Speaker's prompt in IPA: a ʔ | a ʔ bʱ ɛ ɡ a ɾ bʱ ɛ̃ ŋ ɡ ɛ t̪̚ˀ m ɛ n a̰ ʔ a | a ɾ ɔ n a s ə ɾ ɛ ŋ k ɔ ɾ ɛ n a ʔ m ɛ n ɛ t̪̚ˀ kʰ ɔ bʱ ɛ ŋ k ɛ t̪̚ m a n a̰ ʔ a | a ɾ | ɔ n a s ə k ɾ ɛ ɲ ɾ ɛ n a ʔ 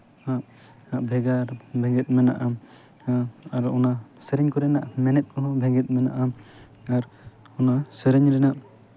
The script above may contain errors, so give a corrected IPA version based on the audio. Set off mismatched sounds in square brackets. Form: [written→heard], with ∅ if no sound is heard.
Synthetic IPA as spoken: a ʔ | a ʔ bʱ ɛ ɡ a ɾ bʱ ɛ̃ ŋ ɡ ɛ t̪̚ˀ m ɛ n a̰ ʔ a | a ɾ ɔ n a s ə ɾ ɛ [ŋ→ɲ] k ɔ ɾ ɛ n a ʔ m ɛ n ɛ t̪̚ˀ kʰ ɔ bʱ ɛ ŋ [k→ɡ] ɛ t̪̚ m [a→ɛ] n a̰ ʔ a | a ɾ | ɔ n a s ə [k→∅] ɾ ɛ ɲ ɾ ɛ n a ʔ